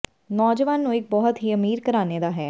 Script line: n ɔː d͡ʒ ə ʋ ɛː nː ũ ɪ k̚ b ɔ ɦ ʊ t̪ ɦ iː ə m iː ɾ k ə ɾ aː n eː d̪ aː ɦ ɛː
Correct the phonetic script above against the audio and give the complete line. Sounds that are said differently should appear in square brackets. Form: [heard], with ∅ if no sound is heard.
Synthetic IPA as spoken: n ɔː d͡ʒ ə ʋ [aː] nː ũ ɪ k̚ b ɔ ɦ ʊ t̪ ɦ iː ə m iː ɾ k ə ɾ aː n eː d̪ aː ɦ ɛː